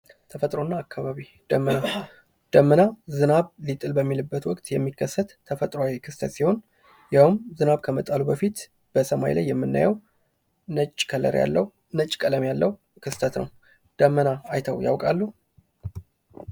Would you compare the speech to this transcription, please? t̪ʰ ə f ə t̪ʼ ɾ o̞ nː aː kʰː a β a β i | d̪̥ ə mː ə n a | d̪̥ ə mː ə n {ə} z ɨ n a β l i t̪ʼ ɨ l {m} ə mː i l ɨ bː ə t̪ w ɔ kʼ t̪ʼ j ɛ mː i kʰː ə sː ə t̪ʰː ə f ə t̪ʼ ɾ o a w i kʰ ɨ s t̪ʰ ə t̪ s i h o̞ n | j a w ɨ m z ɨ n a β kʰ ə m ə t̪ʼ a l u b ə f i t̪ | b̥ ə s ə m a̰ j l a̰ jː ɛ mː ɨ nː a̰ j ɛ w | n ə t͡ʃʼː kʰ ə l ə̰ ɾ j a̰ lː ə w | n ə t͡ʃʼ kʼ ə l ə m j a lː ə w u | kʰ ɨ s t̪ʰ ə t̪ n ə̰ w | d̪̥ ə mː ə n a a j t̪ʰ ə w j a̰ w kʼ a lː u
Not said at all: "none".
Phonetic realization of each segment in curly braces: a, b

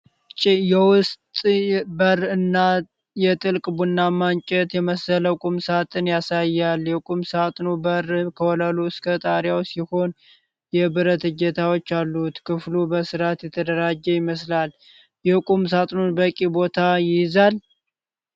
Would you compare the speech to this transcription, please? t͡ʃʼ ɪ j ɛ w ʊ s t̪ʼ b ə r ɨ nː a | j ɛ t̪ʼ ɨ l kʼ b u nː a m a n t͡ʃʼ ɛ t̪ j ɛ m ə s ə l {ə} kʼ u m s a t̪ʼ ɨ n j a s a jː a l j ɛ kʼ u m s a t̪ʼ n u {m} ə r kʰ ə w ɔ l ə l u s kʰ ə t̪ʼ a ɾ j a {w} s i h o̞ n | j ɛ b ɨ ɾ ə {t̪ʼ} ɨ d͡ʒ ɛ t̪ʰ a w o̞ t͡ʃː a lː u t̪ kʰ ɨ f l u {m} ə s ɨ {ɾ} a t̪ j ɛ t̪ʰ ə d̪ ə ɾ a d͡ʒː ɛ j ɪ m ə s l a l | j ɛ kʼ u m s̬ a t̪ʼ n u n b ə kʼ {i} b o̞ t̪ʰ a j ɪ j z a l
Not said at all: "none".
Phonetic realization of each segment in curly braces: ə, b, w, t̪, b, ɾ, i

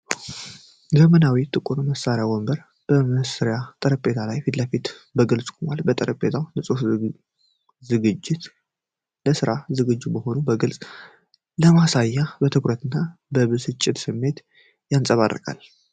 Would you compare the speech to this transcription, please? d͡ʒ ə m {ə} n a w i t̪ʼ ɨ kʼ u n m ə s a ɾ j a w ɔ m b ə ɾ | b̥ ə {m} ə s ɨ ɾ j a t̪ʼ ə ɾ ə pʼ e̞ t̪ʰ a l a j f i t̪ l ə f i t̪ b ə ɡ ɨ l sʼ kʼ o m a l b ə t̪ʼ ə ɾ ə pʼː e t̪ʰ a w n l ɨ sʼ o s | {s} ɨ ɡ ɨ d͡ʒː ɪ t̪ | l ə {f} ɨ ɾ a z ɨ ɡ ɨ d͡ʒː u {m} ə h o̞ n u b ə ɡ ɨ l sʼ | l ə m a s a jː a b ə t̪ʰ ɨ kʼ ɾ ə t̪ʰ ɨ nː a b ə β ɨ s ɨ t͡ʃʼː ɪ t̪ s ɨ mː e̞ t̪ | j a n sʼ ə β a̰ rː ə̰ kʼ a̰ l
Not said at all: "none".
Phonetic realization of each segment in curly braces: ə, m, z, s, b

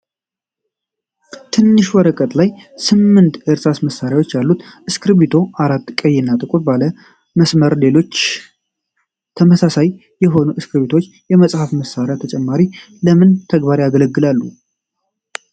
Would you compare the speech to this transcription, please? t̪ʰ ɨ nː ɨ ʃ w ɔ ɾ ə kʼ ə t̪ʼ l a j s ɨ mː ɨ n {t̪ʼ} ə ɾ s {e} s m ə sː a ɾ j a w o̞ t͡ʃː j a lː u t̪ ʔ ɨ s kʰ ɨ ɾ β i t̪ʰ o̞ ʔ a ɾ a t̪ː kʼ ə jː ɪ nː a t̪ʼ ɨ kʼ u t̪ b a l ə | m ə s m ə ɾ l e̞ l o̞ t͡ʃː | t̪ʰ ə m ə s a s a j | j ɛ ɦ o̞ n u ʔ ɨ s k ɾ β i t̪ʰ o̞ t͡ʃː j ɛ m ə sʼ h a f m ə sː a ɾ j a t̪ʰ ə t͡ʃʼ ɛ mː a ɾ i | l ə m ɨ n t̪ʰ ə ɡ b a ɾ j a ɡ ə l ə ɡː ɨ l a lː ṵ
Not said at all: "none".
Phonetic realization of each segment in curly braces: t̪, a

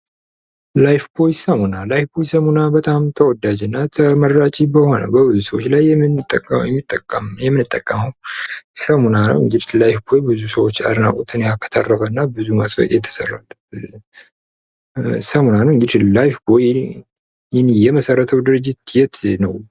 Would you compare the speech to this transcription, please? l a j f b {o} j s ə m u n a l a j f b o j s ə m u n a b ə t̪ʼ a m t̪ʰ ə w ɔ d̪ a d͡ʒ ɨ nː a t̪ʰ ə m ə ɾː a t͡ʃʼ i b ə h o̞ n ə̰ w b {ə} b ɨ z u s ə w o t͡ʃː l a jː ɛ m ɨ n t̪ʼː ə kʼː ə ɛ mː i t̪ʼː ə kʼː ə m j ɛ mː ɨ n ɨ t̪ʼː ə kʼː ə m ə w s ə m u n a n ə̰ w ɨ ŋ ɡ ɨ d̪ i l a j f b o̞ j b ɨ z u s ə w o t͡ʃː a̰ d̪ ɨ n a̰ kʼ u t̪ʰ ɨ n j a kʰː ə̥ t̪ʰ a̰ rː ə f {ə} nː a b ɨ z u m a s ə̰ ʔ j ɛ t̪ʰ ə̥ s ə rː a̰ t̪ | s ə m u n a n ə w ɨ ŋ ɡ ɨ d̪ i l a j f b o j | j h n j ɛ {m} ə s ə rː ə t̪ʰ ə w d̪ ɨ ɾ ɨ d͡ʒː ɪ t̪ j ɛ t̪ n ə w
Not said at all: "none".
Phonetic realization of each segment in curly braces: o, ə, ə, m

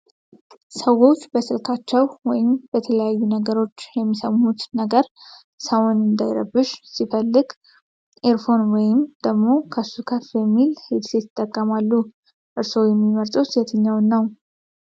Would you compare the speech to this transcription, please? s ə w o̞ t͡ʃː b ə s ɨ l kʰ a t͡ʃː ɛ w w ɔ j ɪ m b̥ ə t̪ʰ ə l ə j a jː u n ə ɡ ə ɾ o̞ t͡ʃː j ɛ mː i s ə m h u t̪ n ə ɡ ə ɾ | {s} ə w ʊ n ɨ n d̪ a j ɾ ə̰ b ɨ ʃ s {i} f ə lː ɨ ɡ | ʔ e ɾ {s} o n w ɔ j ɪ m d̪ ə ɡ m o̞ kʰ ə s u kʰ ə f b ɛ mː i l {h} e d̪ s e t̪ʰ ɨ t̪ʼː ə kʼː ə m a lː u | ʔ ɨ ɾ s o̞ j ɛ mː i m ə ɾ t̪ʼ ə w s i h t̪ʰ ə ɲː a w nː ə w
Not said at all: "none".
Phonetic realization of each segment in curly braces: s, i, f, h

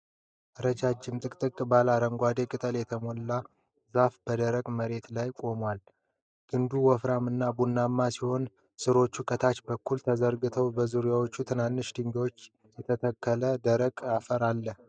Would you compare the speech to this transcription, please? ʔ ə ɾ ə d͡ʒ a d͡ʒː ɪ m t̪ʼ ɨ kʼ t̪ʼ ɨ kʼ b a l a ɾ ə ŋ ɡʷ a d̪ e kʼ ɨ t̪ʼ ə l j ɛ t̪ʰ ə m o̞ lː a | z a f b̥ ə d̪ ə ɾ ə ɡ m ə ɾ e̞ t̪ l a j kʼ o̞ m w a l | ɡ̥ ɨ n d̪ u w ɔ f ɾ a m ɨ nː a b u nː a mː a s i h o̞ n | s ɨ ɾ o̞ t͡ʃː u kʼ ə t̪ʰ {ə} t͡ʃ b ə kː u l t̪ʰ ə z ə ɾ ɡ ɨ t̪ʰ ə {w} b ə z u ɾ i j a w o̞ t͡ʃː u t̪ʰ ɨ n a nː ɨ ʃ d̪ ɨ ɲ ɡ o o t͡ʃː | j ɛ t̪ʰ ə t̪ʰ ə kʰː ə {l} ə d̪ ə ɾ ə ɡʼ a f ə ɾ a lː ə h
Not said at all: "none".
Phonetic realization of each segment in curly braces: a, w, l

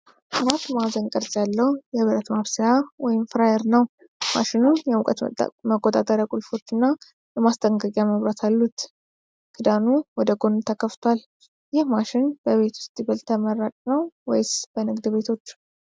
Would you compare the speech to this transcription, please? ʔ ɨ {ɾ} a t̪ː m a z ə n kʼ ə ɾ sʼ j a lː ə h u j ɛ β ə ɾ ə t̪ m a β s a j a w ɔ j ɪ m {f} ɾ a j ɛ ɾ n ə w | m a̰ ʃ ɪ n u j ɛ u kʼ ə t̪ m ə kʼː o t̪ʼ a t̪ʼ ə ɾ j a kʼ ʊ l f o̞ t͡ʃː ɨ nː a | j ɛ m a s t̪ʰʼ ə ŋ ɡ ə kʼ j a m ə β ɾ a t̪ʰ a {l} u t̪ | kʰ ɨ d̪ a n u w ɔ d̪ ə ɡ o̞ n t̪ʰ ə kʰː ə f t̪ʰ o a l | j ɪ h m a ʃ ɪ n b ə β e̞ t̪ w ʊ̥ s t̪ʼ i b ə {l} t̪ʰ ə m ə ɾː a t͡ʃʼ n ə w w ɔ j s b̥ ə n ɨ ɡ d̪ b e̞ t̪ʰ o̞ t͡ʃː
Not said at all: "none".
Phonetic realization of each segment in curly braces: ɾ, f, lː, l

